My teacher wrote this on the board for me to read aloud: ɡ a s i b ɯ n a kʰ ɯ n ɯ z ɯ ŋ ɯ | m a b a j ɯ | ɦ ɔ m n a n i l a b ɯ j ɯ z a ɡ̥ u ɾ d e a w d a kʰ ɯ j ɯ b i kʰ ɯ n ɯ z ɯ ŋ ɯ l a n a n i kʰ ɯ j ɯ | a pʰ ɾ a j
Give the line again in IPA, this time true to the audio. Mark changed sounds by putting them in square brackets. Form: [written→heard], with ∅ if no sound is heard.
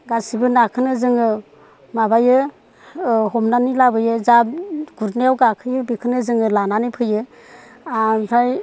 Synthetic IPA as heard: ɡ a s i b ɯ n a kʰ ɯ n ɯ z ɯ ŋ ɯ | m a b a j ɯ | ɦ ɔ m n a n i l a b ɯ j ɯ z a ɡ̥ u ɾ [d→n] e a w [d→ɡ] a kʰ ɯ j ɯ b i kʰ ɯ n ɯ z ɯ ŋ ɯ l a n a n i [kʰ→pʰ] ɯ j ɯ | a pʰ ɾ a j